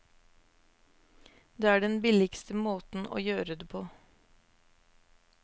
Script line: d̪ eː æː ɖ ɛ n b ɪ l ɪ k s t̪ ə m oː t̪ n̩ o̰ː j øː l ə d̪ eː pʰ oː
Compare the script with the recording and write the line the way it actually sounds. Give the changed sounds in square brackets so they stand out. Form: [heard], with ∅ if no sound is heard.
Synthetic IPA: d̪ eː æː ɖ ɛ n b ɪ l ɪ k s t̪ ə m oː t̪ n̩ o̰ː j øː [ɾ] ə d̪ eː pʰ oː

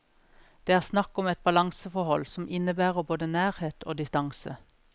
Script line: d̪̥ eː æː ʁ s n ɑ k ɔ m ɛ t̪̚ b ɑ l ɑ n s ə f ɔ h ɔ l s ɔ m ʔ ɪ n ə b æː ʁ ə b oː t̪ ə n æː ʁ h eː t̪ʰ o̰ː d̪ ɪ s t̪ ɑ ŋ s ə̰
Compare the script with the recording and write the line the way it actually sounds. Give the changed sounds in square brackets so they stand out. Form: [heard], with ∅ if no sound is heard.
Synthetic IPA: d̪̥ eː æː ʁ s n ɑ k ɔ m ɛ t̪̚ b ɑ l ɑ [ŋ] s ə f ɔ h ɔ l s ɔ m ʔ ɪ n ə b æː ʁ ə b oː [d̪] ə n æː ʁ h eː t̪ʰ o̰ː d̪ ɪ s t̪ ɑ ŋ s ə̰

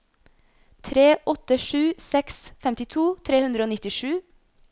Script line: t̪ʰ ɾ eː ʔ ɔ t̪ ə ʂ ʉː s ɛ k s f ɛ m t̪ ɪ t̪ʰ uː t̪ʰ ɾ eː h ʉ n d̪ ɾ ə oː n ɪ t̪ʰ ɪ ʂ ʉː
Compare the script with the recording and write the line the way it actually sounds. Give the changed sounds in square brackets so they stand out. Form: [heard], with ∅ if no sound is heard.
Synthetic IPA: t̪ʰ ɾ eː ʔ ɔ t̪ ə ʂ ʉː s ɛ k s f ɛ m t̪ ɪ t̪ʰ uː t̪ʰ ɾ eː h ʉ n d̪ ɾ ə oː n ɪ [t̪] ɪ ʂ ʉː

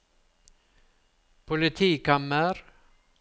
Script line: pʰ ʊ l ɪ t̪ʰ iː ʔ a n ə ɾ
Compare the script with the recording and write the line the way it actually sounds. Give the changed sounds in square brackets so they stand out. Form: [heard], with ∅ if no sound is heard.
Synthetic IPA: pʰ ʊ l ɪ t̪ʰ iː [k] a [m] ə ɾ

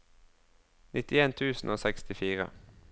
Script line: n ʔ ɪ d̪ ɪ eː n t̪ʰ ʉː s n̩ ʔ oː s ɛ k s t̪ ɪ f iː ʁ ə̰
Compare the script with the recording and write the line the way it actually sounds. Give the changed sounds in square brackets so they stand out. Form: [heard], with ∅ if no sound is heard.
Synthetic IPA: n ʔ ɪ [t̪] ɪ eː n t̪ʰ ʉː s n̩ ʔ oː s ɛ k s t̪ ɪ f iː ʁ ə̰

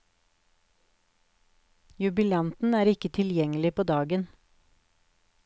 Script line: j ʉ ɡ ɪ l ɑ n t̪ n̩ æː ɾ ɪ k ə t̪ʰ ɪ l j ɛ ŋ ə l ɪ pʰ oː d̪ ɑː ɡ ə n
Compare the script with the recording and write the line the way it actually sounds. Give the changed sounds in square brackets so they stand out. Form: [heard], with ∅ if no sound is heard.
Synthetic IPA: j ʉ [b] ɪ l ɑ n t̪ n̩ æː ɾ ɪ k ə t̪ʰ ɪ l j ɛ ŋ ə l ɪ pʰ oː d̪ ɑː ɡ ə n

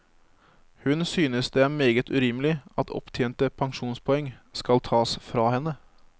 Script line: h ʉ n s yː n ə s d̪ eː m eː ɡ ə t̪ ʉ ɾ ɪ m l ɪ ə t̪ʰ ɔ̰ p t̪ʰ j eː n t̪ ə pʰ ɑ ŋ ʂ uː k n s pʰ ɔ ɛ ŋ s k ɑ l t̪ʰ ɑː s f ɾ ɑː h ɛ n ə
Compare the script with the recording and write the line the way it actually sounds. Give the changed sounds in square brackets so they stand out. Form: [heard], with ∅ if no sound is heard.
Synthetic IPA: h ʉ n s yː n ə s d̪ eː m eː ɡ ə t̪ ʉ ɾ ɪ m l ɪ [ɑ] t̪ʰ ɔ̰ p t̪ʰ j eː n t̪ ə pʰ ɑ ŋ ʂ uː [∅] n s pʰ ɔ ɛ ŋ s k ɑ l t̪ʰ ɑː s f ɾ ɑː h ɛ n ə

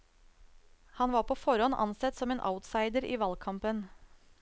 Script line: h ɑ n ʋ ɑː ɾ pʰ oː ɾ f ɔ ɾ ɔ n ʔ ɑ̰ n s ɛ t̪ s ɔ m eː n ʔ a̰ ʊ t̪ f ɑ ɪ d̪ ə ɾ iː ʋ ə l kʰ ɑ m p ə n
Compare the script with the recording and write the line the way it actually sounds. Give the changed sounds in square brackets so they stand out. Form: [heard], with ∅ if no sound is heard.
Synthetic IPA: h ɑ n ʋ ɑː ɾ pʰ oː [∅] f ɔ ɾ ɔ n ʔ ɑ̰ n s ɛ t̪ s ɔ m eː n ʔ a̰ ʊ t̪ [s] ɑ ɪ d̪ ə ɾ iː ʋ [ɑ] l kʰ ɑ m p ə n

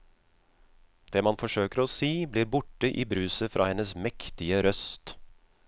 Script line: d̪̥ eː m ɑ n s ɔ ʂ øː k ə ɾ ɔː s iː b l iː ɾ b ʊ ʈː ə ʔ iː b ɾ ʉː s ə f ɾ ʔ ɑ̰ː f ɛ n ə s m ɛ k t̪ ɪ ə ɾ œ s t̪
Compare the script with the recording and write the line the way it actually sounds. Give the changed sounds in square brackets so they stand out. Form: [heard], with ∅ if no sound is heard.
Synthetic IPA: d̪̥ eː m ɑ n [f] ɔ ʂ øː k ə ɾ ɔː s iː b l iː ɾ b ʊ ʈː ə ʔ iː b ɾ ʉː s ə f ɾ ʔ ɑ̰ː [h] ɛ n ə s m ɛ k t̪ ɪ ə ɾ œ s t̪

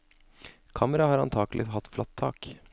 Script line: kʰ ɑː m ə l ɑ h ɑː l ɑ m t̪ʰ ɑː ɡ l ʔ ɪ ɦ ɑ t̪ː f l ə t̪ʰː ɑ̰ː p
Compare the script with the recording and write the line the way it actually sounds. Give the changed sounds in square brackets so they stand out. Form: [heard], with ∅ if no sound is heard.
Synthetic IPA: kʰ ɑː m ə [ɾ] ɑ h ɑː [ɾ] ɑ [n] t̪ʰ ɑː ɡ l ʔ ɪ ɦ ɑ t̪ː f l [ɑ] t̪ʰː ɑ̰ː [k]

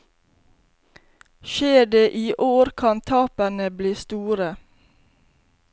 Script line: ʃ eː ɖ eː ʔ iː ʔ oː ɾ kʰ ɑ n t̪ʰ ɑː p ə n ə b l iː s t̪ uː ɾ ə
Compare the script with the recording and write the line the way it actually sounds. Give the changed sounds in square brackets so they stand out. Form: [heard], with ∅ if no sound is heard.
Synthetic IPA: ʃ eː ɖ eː ʔ iː ʔ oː ɾ kʰ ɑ n t̪ʰ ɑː p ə n ə b l iː s t̪ uː ɾ ə

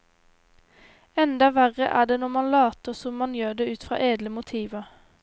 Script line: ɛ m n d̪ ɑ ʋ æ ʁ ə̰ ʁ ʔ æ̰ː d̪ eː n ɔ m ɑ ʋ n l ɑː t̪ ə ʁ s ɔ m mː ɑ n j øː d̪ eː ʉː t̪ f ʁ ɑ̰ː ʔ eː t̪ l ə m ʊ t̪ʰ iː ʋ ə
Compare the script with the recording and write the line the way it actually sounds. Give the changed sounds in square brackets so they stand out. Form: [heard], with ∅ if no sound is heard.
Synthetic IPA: ɛ [∅] n d̪ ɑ ʋ æ ʁ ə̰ [∅] ʔ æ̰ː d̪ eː n ɔ m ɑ [∅] n l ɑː t̪ ə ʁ s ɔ m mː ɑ n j øː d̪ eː ʉː t̪ f ʁ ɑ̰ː ʔ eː [d̪] l ə m ʊ t̪ʰ iː ʋ ə

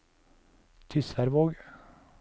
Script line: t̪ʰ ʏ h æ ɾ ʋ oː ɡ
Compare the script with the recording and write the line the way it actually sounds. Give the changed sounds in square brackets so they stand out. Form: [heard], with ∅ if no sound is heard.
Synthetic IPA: t̪ʰ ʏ [s] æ ɾ ʋ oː ɡ

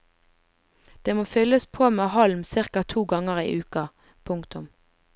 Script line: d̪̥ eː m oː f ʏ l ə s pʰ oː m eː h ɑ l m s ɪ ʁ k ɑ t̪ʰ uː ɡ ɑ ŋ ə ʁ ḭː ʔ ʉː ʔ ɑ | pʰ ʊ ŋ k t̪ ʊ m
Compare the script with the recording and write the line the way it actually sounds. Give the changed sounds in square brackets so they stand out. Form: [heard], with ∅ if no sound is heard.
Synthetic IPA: d̪̥ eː m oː f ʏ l ə s pʰ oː m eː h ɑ l m s ɪ ʁ k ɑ t̪ʰ uː ɡ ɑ ŋ ə ʁ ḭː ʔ ʉː [k] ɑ | pʰ ʊ ŋ k t̪ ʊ m

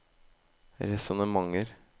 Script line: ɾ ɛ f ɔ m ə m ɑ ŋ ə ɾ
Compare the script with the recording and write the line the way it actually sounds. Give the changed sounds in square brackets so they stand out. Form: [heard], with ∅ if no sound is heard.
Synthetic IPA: ɾ ɛ [s] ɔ [n] ə m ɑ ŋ ə ɾ

